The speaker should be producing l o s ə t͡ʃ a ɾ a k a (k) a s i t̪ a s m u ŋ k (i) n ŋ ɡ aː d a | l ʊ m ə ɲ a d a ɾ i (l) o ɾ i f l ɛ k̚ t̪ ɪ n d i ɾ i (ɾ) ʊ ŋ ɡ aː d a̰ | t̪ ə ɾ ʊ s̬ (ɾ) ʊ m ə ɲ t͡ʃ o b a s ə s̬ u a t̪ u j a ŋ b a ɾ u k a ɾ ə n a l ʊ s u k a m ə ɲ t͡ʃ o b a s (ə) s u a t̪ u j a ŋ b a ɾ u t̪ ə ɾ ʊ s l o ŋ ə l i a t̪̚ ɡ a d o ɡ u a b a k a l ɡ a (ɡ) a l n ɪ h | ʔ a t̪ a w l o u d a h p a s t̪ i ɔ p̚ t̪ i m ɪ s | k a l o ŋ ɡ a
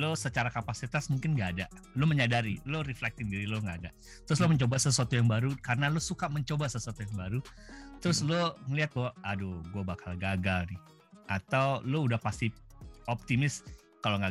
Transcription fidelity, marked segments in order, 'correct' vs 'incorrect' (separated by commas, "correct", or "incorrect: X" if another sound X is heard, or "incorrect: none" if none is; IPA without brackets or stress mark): incorrect: p, incorrect: ɪ, correct, incorrect: l, incorrect: l, correct, correct